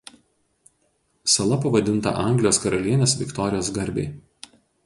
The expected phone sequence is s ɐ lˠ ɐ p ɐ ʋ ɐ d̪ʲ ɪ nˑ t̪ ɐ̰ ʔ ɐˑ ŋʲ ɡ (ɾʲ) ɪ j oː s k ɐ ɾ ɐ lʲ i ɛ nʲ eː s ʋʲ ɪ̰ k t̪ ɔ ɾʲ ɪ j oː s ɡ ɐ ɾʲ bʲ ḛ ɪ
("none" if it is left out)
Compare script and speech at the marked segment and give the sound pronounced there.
lʲ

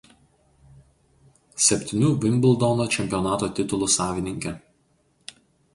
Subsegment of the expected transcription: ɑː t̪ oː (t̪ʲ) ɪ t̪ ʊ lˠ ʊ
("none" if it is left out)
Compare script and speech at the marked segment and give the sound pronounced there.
t̪ʲ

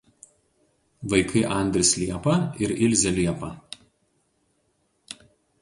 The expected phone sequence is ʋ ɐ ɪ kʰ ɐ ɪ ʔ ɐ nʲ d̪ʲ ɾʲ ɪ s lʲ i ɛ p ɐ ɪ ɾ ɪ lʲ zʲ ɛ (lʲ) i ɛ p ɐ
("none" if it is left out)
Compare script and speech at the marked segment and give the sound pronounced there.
lʲ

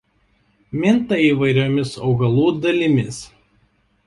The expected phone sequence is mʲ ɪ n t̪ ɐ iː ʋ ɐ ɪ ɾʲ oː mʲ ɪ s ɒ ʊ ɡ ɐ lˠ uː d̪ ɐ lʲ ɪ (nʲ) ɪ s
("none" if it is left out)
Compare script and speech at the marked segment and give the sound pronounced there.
mʲ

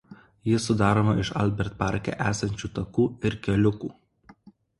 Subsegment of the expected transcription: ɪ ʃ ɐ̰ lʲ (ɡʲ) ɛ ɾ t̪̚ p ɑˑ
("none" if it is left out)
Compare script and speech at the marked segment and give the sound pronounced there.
bʲ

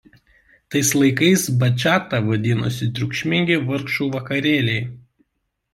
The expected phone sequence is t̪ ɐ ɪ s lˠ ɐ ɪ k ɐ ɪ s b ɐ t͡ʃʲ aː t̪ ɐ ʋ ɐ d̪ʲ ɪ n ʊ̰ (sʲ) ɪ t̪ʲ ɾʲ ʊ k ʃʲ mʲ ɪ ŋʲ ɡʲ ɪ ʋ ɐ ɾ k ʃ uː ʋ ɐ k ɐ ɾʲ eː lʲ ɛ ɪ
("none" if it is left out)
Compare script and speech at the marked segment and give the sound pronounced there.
sʲ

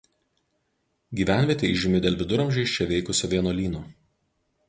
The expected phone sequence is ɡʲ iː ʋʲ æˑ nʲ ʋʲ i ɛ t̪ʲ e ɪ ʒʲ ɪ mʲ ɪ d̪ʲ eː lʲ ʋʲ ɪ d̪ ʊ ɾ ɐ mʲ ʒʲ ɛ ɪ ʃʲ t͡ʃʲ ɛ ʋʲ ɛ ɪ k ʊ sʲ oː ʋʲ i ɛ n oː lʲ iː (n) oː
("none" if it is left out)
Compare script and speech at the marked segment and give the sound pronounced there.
n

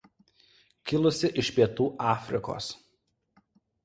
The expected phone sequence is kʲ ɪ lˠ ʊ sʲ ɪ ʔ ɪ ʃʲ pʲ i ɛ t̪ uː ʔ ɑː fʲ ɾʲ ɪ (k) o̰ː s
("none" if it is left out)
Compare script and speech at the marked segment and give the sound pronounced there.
k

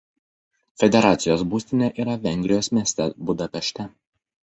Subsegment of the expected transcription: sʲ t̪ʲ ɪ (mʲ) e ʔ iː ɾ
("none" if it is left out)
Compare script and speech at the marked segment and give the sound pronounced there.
nʲ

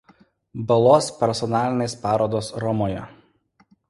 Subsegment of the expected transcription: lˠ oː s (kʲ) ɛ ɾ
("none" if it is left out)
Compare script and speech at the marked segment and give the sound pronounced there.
pʲ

